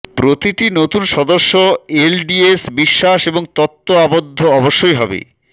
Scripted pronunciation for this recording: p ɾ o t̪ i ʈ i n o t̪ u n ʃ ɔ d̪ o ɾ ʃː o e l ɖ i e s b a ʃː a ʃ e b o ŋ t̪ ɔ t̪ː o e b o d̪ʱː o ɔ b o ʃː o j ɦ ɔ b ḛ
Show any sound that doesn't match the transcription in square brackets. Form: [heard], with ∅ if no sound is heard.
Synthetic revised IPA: p ɾ o t̪ i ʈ i n o t̪ u n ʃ ɔ d̪ o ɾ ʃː o e l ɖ i e s b [i] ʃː a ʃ e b o ŋ t̪ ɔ t̪ː o [a] b o d̪ʱː o ɔ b o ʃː o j ɦ ɔ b ḛ